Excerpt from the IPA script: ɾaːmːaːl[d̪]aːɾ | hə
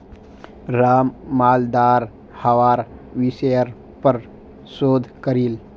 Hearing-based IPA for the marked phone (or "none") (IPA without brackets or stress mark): d̪